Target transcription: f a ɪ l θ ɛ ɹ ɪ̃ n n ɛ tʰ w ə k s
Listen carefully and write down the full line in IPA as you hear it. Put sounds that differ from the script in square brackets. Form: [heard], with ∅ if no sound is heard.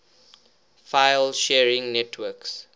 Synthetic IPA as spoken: f a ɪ l [ʃ] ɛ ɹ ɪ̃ [ŋ] n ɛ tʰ w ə k s